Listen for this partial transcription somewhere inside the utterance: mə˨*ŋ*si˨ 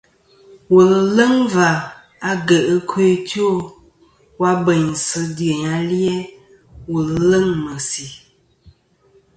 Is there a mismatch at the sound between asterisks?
yes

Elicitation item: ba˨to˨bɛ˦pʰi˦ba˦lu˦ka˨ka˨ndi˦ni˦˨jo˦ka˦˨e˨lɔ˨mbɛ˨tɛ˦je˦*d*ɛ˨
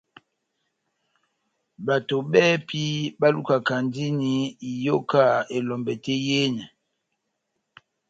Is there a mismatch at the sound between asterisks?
yes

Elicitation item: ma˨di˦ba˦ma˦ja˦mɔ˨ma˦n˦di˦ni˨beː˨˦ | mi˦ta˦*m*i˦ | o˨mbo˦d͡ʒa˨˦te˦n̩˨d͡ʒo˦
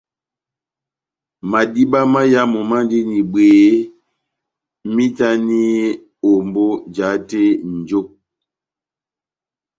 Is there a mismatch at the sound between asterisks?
yes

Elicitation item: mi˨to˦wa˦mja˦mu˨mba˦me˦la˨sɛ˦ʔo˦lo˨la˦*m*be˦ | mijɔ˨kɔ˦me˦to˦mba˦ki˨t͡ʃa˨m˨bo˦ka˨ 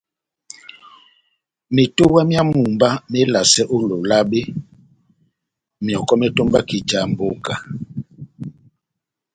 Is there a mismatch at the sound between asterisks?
yes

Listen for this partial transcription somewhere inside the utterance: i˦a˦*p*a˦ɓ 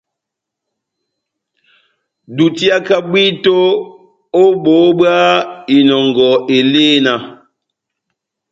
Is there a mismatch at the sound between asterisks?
yes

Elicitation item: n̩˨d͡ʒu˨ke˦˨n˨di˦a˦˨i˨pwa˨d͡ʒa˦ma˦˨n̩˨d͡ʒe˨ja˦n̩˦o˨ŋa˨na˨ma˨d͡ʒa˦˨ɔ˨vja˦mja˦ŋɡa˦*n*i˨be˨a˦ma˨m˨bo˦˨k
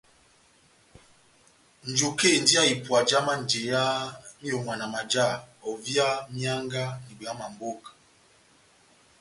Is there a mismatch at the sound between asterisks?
no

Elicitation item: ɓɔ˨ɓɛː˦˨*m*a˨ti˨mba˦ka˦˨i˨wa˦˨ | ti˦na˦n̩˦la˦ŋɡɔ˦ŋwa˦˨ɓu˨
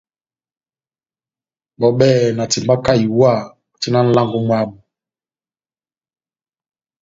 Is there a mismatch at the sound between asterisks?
yes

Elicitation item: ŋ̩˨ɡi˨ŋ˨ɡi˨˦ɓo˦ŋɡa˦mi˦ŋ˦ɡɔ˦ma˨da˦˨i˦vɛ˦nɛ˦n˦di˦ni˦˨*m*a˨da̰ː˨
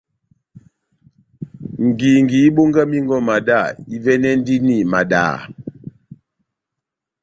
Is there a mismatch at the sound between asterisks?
no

